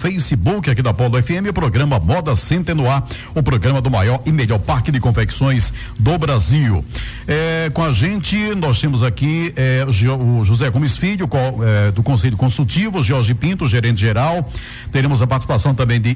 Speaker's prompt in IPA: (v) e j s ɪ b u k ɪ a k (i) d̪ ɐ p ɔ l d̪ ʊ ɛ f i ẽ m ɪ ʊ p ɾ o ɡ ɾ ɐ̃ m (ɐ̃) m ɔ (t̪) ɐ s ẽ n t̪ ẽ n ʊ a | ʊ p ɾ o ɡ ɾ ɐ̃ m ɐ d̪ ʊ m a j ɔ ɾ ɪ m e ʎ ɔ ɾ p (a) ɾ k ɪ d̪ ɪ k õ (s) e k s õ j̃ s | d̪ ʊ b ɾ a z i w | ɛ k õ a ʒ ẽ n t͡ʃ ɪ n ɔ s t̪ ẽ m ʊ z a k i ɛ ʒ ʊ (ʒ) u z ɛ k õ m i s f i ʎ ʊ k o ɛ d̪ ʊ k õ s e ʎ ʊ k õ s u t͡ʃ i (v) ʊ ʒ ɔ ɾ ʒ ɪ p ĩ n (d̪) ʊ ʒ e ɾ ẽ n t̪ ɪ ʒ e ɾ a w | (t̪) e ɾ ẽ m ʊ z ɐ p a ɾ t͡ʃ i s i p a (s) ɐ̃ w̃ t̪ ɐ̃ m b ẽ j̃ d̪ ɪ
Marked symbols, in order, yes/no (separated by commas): no, yes, no, no, yes, no, yes, yes, no, yes, yes